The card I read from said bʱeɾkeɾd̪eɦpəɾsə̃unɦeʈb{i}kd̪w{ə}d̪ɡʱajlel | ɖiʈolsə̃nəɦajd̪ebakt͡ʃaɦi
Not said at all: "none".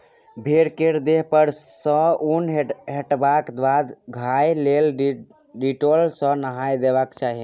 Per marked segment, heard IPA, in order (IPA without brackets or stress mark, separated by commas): a, a